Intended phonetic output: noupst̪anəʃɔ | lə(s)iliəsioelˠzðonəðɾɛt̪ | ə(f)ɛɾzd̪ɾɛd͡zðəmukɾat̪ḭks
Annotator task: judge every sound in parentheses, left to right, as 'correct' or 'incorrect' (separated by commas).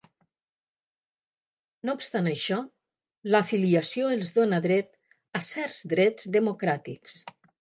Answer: incorrect, incorrect